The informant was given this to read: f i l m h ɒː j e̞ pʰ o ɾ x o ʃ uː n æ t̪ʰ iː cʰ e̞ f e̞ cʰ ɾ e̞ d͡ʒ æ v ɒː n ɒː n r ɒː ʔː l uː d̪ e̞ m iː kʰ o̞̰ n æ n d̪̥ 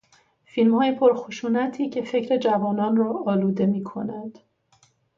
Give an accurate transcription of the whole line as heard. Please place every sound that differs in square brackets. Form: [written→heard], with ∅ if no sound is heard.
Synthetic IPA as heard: f i l m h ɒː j e̞ pʰ o ɾ x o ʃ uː n æ t̪ʰ iː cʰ e̞ f e̞ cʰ ɾ e̞ d͡ʒ æ v ɒː n ɒː n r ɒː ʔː l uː d̪ e̞ m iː kʰ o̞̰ n æ n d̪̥